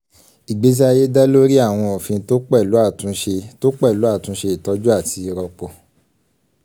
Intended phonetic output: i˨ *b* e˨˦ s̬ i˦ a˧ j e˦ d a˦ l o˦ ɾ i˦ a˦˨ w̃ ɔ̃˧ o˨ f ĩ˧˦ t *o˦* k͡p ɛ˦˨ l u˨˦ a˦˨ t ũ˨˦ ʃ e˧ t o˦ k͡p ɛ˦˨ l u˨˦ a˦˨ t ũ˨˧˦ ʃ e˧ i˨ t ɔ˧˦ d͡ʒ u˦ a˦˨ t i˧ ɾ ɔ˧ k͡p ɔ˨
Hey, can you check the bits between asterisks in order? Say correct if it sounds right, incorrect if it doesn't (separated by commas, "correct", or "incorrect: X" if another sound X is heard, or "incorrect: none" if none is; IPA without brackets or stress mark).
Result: incorrect: ɡ͡b, correct